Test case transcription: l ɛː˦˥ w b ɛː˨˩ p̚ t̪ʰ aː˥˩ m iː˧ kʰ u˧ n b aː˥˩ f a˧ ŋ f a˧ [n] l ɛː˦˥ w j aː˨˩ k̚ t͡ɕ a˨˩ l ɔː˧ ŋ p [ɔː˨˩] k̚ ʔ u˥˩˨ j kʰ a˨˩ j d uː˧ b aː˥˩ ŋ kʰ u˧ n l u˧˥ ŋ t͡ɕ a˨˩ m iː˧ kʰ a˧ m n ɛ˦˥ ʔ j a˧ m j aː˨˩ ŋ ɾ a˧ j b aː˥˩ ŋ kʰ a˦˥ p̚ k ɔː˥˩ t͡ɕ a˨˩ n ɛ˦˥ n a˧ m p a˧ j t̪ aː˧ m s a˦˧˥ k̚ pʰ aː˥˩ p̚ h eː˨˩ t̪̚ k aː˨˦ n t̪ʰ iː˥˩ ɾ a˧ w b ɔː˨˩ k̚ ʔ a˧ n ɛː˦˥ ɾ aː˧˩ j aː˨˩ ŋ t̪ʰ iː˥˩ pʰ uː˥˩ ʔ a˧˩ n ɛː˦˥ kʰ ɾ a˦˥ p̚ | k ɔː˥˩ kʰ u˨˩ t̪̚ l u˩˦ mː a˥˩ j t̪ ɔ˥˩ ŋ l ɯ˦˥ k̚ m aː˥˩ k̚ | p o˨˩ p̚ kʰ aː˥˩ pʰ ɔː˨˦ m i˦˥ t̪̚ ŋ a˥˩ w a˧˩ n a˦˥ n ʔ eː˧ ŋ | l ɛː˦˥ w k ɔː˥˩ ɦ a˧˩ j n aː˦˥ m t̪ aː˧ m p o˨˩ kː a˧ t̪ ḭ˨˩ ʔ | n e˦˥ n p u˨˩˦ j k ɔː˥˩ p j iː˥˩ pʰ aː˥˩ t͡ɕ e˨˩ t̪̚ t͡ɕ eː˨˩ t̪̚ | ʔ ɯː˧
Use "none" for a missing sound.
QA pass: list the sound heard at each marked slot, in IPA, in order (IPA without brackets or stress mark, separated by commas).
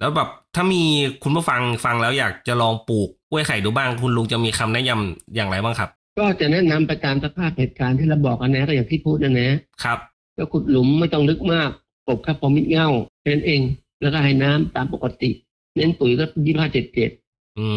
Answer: ŋ, uː˨˩